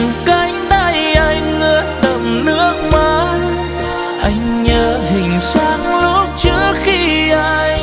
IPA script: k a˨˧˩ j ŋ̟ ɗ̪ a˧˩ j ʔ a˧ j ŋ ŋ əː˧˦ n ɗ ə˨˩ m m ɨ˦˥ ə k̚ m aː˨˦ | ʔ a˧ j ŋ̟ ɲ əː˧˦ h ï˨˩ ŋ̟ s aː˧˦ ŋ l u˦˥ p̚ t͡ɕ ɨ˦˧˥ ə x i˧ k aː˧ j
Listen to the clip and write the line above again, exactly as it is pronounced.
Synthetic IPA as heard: k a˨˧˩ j ŋ̟ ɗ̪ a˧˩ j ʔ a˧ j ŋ ŋ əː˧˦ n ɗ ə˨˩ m n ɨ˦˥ ə k̚ m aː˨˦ | ʔ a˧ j ŋ̟ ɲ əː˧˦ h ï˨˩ ŋ̟ s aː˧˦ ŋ l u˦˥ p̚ t͡ɕ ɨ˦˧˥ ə x i˧ ʔ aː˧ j